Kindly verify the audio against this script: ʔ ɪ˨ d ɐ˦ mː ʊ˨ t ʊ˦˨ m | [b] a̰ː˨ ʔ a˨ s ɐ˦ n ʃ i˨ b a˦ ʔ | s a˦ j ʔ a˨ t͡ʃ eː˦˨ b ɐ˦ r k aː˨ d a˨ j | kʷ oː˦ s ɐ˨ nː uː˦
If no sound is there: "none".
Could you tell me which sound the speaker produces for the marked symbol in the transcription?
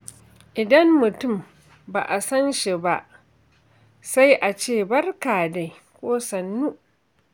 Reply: b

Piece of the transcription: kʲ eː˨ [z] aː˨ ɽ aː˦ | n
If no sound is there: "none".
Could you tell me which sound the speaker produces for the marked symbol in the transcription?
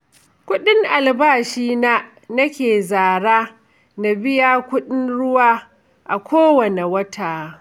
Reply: z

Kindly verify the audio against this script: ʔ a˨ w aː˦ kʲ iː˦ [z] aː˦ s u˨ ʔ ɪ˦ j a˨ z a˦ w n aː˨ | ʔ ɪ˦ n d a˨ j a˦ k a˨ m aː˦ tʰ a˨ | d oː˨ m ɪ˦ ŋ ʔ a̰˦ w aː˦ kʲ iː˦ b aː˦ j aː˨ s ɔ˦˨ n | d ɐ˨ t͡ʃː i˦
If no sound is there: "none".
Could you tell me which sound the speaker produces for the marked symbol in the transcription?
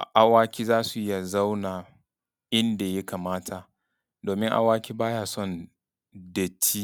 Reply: z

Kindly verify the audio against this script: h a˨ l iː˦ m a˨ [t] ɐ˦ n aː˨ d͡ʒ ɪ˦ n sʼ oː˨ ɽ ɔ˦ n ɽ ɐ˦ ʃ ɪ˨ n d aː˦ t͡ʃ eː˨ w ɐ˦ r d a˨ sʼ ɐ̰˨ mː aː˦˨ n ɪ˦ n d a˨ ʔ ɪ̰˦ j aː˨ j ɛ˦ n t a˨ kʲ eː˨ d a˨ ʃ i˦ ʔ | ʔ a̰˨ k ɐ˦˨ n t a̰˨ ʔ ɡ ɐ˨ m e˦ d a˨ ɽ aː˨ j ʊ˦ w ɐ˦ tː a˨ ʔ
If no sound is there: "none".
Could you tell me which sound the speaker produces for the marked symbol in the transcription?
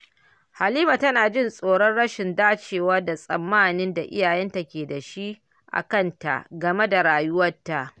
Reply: t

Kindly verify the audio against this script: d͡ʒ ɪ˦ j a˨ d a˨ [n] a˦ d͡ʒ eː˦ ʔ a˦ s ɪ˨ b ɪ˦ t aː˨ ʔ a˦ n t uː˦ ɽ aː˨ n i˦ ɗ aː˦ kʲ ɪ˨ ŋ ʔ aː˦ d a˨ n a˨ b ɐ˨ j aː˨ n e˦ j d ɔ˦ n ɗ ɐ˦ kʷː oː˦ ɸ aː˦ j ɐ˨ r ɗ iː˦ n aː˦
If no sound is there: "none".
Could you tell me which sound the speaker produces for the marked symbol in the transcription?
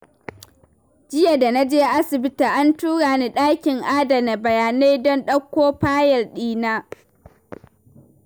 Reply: n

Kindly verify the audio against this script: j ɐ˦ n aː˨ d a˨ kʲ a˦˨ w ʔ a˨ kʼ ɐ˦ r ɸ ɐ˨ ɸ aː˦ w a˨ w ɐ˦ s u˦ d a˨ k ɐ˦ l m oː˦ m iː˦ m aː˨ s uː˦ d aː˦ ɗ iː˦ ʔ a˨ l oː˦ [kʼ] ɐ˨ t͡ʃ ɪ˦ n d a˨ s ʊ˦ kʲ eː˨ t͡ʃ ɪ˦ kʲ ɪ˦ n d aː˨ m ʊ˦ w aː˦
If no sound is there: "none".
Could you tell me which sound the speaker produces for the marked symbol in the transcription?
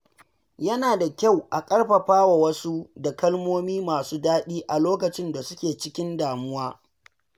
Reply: k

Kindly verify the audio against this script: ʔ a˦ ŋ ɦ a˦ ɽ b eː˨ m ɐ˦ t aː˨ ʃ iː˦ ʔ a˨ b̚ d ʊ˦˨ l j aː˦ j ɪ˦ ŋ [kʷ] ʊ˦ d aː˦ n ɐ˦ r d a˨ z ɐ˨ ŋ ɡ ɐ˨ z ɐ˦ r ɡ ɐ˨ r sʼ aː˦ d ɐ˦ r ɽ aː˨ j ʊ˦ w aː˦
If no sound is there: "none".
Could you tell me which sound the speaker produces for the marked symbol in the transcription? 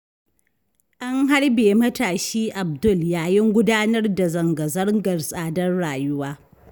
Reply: ɡʷ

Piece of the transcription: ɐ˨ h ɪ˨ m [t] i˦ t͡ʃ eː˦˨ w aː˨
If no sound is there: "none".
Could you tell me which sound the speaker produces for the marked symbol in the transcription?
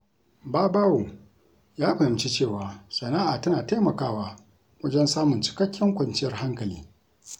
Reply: t͡ʃ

